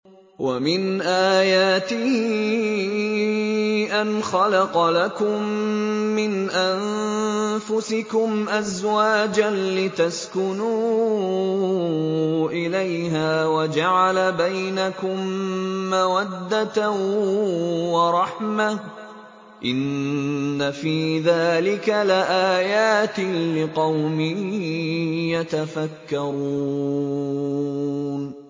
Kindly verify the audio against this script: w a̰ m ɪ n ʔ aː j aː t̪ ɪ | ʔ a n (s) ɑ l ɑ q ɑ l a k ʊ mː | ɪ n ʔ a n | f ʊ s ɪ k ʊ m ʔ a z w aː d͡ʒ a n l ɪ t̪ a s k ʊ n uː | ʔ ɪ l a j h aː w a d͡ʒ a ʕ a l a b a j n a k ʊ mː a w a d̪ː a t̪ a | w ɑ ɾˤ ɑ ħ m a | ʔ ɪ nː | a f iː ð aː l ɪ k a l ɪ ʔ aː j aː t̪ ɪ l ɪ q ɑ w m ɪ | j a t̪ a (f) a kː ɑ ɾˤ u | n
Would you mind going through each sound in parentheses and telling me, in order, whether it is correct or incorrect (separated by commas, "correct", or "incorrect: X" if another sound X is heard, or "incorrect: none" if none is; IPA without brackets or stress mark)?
incorrect: x, correct